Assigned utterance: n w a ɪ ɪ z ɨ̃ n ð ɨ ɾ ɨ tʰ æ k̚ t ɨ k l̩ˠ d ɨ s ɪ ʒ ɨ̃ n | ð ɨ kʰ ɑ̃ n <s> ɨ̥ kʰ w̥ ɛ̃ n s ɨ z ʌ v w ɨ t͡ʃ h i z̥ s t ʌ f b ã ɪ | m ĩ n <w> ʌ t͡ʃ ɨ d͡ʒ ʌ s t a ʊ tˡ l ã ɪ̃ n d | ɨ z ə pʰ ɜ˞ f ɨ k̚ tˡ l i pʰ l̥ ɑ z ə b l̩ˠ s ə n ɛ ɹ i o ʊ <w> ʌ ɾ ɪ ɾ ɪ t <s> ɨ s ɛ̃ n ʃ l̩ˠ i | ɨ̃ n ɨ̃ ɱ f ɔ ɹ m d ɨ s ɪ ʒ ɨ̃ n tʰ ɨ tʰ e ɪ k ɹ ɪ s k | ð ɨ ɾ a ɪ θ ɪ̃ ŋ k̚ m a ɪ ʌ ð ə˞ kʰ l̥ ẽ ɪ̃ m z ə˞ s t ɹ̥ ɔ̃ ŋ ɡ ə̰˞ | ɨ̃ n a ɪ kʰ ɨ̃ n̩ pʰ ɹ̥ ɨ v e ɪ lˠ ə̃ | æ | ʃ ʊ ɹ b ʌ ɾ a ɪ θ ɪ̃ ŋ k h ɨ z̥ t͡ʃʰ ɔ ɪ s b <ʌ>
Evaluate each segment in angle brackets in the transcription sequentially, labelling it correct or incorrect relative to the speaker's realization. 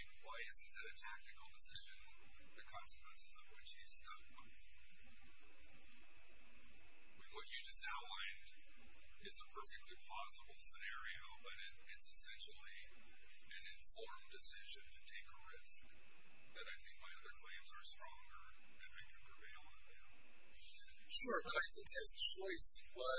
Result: correct, correct, incorrect: b, correct, correct

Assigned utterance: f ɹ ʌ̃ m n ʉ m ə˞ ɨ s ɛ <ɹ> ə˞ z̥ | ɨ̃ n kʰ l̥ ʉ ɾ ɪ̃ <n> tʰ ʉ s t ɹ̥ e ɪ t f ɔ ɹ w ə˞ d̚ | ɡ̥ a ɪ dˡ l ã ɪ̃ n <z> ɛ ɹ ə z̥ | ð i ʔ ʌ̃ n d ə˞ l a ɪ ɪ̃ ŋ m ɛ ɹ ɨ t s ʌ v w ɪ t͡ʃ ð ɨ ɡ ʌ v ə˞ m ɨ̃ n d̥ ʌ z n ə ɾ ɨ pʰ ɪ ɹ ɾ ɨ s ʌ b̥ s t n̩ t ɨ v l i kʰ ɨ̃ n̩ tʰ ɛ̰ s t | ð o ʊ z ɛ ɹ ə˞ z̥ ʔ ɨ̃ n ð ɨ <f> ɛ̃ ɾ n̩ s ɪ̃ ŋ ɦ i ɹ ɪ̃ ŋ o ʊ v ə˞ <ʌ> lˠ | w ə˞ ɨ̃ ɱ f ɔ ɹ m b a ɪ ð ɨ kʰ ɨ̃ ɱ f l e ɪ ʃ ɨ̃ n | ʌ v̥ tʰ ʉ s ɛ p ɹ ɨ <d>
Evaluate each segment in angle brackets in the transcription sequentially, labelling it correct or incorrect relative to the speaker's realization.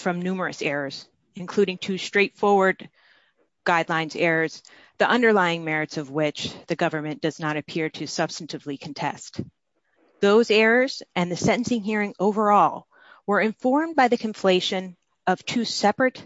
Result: correct, incorrect: ŋ, correct, incorrect: s, incorrect: ɔ, incorrect: t

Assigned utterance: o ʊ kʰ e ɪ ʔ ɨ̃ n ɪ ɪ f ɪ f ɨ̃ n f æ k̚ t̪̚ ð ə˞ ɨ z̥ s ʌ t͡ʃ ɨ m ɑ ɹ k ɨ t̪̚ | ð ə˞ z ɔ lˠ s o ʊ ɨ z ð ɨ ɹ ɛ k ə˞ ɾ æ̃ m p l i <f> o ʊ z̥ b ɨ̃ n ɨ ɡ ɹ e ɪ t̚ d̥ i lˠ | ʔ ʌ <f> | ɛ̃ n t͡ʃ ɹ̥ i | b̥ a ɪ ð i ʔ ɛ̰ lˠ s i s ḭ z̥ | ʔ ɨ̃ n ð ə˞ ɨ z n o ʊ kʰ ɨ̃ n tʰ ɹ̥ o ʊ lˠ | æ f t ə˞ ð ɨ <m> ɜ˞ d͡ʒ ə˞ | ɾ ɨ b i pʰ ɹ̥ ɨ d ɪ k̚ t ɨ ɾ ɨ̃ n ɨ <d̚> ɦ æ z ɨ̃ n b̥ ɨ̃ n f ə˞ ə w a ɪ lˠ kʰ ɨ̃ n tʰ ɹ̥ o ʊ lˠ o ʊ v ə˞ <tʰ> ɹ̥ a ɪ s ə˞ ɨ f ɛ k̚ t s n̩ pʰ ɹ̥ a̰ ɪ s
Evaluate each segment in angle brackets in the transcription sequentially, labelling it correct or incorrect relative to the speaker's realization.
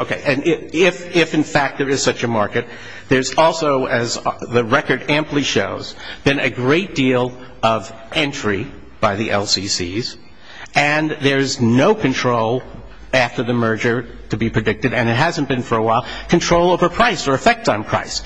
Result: incorrect: ʃ, incorrect: v, correct, incorrect: t̚, incorrect: pʰ

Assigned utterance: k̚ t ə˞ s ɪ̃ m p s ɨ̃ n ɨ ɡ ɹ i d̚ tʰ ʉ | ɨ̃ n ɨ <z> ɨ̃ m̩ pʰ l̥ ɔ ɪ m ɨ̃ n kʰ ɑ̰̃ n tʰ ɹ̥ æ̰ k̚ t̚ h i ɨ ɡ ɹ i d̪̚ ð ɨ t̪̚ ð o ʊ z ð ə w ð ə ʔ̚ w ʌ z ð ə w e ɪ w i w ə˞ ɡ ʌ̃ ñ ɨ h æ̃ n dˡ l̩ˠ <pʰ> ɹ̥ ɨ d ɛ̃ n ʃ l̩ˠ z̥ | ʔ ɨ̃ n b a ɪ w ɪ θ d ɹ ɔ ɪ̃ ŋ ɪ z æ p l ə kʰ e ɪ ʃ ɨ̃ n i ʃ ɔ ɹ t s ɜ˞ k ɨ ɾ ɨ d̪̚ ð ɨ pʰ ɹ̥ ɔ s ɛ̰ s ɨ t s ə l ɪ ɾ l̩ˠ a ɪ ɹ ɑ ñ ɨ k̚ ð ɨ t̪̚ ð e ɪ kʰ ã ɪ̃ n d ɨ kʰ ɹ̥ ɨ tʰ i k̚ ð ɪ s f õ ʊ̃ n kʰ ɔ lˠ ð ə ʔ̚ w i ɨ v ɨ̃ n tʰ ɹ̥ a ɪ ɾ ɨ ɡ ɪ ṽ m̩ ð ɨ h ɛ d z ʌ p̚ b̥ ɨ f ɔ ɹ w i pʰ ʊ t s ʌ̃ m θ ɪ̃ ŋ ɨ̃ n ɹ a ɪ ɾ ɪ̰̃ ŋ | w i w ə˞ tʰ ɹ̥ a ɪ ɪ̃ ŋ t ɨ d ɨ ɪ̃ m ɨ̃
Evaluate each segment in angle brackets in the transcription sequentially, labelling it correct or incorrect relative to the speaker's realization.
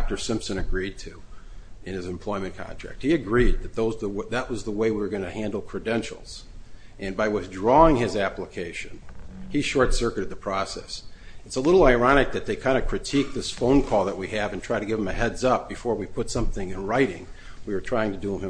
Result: correct, incorrect: kʰ

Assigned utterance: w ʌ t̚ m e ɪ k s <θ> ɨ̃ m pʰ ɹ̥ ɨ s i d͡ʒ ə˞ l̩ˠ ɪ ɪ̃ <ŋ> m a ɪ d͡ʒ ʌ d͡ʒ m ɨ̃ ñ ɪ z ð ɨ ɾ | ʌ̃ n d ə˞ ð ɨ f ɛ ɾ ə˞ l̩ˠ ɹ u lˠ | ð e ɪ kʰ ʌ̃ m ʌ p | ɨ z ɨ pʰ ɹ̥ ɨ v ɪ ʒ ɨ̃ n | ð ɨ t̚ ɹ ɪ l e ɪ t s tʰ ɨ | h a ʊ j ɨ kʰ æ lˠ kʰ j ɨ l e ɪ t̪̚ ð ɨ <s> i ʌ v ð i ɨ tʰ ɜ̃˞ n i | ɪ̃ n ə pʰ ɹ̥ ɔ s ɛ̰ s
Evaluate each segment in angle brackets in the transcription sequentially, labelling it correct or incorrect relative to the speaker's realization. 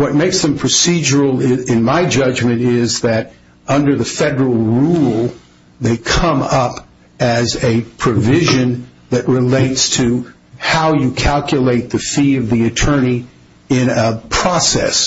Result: incorrect: ð, incorrect: n, incorrect: f

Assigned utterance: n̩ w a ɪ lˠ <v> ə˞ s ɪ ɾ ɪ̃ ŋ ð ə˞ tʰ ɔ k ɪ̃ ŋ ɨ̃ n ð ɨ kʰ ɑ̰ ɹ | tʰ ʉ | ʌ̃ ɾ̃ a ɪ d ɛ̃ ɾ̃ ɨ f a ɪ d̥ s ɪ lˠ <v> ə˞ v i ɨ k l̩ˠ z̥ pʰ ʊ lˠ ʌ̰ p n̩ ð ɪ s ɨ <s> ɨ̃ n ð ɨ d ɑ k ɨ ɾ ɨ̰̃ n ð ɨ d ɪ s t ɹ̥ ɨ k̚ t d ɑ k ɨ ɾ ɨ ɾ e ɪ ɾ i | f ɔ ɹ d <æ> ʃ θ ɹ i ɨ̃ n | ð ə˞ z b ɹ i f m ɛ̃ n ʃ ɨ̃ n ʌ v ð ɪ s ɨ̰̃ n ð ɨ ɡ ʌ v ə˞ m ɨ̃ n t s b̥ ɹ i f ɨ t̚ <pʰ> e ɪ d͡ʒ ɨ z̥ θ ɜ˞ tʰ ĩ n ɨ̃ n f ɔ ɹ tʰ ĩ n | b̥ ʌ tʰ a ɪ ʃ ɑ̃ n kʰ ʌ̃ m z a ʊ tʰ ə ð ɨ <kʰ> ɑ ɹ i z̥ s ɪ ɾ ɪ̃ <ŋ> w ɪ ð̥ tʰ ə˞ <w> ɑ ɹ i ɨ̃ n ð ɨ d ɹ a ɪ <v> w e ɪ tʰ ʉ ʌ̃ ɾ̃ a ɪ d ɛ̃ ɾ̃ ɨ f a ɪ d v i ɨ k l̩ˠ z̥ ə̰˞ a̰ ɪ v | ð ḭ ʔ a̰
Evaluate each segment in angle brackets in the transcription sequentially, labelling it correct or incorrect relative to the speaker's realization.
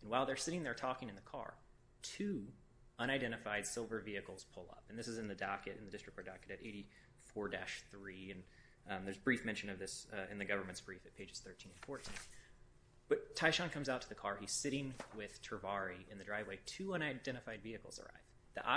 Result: incorrect: ð, correct, incorrect: z, correct, correct, correct, correct, incorrect: v, correct

